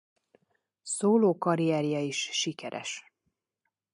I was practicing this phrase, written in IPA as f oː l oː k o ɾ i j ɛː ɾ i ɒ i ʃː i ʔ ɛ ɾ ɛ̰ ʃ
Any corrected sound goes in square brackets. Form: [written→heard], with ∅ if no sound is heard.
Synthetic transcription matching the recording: [f→s] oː l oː k [o→ɒ] ɾ i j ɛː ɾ [i→j] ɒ i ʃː i [ʔ→k] ɛ ɾ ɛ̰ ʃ